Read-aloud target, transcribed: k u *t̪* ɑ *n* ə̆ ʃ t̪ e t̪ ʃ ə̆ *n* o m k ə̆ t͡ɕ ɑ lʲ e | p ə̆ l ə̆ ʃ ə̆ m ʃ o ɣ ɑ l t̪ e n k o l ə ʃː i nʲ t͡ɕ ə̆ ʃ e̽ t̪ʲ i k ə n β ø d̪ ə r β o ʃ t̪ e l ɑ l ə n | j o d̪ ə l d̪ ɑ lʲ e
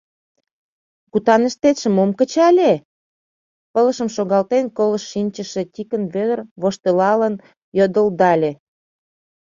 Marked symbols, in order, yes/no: yes, yes, no

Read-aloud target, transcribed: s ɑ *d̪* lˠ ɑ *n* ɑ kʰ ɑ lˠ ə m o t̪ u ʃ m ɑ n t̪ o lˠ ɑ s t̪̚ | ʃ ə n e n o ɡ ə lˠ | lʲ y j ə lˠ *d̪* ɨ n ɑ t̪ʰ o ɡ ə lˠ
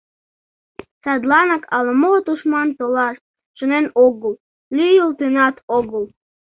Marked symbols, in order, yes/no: yes, yes, no

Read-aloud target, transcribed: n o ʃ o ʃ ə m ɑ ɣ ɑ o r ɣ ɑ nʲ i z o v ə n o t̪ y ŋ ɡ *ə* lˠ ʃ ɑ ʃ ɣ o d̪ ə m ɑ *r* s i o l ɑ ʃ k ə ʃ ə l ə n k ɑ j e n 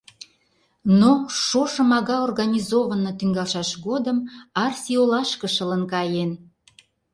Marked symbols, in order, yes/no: no, yes

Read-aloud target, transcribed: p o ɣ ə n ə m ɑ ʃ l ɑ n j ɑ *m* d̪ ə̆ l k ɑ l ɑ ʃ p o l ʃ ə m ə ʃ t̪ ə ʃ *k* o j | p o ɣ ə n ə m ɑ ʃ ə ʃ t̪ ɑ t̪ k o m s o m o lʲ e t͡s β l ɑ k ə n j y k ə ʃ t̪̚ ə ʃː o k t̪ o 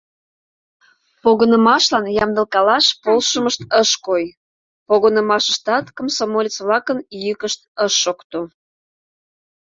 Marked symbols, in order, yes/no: yes, yes

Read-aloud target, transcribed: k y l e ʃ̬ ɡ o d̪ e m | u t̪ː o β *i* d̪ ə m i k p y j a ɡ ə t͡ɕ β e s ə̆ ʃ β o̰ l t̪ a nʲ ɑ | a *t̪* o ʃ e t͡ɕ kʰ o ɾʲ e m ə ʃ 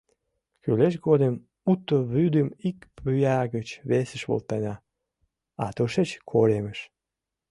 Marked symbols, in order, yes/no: no, yes

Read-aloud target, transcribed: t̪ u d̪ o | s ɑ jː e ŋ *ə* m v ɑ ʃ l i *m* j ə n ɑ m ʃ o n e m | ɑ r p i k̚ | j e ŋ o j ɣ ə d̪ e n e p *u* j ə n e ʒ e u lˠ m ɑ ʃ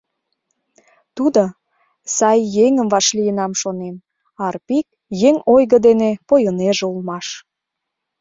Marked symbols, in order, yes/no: yes, no, no

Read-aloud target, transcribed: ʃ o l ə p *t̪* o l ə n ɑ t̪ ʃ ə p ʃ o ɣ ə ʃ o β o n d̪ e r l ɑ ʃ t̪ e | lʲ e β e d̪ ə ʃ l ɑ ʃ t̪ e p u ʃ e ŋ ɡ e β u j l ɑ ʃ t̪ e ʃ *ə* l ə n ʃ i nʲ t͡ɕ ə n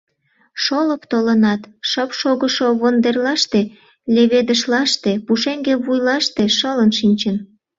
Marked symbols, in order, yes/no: yes, yes

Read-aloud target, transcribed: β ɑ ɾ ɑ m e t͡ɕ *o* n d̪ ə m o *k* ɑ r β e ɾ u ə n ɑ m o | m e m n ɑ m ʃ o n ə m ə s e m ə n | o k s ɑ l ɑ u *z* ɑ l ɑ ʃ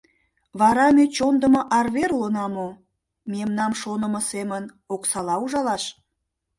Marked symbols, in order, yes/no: yes, no, no

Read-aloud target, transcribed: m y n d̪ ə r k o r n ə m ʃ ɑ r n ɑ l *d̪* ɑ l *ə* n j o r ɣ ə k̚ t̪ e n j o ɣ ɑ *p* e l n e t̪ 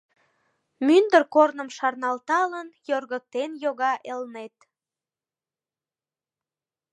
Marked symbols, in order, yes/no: no, yes, no

